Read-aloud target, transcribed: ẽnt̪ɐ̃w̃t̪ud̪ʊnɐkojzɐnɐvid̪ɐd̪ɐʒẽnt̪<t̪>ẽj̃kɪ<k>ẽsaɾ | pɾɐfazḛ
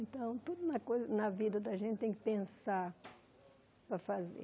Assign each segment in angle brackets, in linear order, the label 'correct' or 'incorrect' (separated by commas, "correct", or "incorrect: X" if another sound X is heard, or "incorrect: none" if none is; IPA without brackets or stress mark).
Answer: correct, incorrect: p